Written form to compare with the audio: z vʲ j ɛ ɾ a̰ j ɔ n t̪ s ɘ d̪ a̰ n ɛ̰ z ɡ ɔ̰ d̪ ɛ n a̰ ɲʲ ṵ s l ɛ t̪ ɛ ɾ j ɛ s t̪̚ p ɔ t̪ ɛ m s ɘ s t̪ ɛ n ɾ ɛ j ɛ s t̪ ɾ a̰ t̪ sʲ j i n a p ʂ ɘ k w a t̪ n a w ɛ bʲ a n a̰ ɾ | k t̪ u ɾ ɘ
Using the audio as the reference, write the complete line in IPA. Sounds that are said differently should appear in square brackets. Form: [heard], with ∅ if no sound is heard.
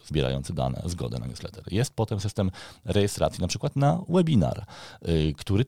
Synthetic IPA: z [bʲ] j ɛ ɾ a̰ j ɔ n t̪ s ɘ d̪ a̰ n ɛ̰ z ɡ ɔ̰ d̪ ɛ n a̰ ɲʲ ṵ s l ɛ t̪ ɛ ɾ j ɛ s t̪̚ p ɔ t̪ ɛ m s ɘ s t̪ ɛ [m] ɾ ɛ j ɛ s t̪ ɾ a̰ t̪ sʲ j i n a p ʂ ɘ k w a t̪ n a w ɛ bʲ [i] n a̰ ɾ | k t̪ u ɾ ɘ